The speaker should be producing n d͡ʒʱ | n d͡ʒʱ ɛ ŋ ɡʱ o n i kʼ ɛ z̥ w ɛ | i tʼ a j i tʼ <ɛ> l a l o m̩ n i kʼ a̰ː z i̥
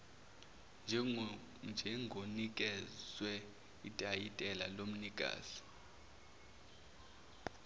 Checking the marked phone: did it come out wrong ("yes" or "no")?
no